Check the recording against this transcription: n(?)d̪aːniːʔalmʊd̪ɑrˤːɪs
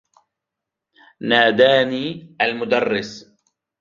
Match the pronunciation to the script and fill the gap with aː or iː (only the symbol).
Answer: aː